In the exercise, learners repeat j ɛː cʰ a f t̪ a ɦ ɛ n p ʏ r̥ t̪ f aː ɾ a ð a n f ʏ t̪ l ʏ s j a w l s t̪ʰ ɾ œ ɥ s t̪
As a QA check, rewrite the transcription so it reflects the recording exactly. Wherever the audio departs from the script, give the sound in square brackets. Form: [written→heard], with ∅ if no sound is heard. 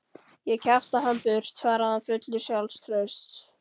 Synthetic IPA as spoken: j [ɛː→ɛ] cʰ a f t̪ a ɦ [ɛ→a] n p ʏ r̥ t̪ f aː ɾ a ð a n f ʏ t̪ l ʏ s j a w l s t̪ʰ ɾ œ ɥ s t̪